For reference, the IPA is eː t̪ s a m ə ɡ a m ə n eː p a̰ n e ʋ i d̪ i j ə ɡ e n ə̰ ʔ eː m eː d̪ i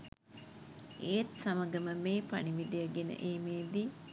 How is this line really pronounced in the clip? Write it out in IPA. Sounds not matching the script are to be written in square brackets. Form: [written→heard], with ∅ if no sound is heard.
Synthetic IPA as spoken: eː t̪ s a m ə ɡ [a→ə] m ə [n→m] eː p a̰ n [e→i] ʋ i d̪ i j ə ɡ e n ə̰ ʔ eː m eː d̪ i